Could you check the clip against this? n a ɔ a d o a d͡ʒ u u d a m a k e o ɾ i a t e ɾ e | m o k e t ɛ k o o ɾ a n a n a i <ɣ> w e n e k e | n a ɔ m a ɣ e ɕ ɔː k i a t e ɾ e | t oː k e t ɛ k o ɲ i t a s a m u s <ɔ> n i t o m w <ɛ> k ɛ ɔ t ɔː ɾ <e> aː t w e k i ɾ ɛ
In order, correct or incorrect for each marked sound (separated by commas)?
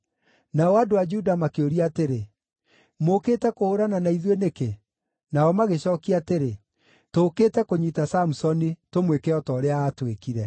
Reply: incorrect, correct, incorrect, correct